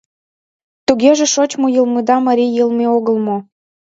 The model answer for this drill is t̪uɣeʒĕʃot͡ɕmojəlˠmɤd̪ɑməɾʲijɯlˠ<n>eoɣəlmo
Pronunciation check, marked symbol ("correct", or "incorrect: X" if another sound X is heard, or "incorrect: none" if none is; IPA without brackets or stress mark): incorrect: m